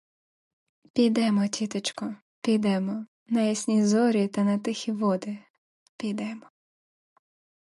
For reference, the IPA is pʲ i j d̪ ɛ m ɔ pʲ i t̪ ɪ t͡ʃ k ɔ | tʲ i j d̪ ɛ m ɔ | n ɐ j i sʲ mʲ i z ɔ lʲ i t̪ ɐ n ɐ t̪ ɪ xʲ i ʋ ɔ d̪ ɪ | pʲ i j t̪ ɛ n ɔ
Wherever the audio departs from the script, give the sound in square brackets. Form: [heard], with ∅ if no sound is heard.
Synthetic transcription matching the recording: pʲ i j d̪ ɛ m ɔ [tʲ] i t̪ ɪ t͡ʃ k ɔ | [pʲ] i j d̪ ɛ m ɔ | n ɐ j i sʲ [nʲ] i z ɔ [ɾʲ] i t̪ ɐ n ɐ t̪ ɪ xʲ i ʋ ɔ d̪ ɪ | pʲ i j [d̪] ɛ [m] ɔ